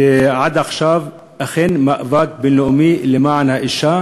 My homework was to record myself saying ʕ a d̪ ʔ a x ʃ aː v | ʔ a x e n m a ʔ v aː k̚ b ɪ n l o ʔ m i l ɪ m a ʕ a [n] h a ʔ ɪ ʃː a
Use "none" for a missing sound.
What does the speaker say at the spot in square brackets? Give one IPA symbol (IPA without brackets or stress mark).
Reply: n